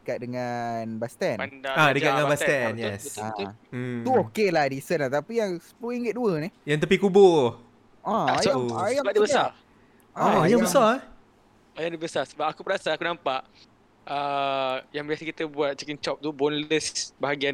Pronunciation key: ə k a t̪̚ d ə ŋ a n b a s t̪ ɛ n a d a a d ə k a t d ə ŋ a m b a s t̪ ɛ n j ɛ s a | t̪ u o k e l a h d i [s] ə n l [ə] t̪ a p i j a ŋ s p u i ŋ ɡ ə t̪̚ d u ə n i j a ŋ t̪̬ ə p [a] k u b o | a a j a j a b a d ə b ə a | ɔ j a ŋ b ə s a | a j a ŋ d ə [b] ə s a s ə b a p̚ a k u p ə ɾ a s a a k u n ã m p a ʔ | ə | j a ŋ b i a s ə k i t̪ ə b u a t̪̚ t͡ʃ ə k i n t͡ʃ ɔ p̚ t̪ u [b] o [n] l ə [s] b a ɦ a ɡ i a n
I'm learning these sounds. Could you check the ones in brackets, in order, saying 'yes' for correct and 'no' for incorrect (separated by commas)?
yes, no, no, yes, yes, yes, yes